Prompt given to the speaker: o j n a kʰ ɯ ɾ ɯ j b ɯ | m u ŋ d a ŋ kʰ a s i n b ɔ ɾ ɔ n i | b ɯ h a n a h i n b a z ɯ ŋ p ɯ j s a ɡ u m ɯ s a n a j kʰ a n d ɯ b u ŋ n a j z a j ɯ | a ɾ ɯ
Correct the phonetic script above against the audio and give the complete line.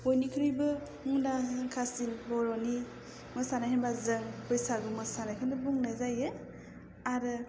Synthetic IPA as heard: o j n i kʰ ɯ ɾ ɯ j b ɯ | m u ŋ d a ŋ kʰ a s i n b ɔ ɾ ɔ n i | m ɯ s a n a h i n b a z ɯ ŋ p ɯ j s a ɡ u m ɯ s a n a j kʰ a n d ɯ b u ŋ n a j z a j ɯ | a ɾ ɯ